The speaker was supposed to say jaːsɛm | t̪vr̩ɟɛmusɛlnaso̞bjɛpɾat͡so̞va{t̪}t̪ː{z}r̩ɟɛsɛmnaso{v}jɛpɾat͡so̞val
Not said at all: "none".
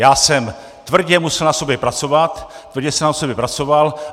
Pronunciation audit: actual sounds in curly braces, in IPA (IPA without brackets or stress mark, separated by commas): t̪, v, b